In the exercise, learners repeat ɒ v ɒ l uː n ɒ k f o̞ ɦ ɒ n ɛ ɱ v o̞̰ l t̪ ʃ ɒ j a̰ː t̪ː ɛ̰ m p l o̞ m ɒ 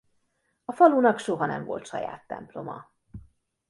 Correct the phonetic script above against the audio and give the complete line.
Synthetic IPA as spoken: ɒ f ɒ l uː n ɒ k ʃ o̞ ɦ ɒ n ɛ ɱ v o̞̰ l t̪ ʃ ɒ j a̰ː t̪ː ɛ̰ m p l o̞ m ɒ